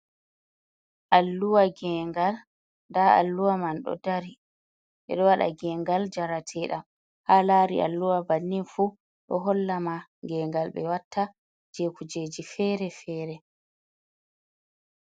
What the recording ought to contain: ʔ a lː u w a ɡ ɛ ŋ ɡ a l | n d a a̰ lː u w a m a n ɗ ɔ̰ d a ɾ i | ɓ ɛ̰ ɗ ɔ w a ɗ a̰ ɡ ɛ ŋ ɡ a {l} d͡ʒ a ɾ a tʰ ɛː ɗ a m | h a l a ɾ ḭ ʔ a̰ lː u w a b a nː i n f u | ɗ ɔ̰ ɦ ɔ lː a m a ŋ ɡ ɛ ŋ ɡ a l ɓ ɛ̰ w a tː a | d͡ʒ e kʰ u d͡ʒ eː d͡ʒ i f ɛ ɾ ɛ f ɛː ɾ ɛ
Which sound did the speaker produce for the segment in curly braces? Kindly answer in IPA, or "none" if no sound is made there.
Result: l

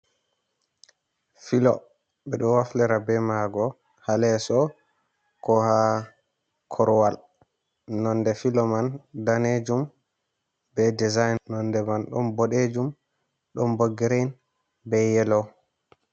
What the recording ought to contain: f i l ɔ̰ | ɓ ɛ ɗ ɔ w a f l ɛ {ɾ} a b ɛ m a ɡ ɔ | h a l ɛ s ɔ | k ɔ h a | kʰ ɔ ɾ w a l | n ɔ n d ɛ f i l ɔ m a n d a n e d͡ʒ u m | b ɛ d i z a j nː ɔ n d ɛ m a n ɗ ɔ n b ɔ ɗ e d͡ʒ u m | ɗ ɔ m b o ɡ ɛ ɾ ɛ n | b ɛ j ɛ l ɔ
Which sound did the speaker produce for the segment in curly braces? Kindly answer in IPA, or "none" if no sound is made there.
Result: ɾ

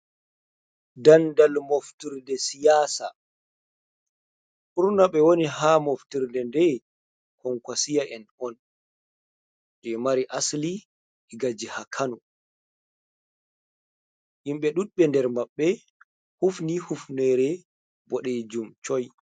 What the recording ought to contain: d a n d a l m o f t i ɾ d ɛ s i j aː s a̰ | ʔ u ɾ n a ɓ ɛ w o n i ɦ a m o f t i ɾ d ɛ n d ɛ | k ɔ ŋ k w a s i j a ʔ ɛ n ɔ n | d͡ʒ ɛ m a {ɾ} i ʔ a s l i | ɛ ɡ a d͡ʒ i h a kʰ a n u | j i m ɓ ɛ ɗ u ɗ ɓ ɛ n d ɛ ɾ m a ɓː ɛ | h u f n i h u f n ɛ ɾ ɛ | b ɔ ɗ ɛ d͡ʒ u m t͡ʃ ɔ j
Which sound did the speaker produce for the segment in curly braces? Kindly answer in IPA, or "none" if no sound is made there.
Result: ɾ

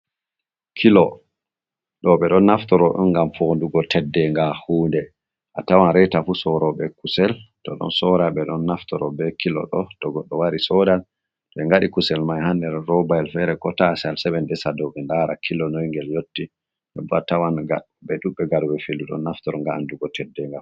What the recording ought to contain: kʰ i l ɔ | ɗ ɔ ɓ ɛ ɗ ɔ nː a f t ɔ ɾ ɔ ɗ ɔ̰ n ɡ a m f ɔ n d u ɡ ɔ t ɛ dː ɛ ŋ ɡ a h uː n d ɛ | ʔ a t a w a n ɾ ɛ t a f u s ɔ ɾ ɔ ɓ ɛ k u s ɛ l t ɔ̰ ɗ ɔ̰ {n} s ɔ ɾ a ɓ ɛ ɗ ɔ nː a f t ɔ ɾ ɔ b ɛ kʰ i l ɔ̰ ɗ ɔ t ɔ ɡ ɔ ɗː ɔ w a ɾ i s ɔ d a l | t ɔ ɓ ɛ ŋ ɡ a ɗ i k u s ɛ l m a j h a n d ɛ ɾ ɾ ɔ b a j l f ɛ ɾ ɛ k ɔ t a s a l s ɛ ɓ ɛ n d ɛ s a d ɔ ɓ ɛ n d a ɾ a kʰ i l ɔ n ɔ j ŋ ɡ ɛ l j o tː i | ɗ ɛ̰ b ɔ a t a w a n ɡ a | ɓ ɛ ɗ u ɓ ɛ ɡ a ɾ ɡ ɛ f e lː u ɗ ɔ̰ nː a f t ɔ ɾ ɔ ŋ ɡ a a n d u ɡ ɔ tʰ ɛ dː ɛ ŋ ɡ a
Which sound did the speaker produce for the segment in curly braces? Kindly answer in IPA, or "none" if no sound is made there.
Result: n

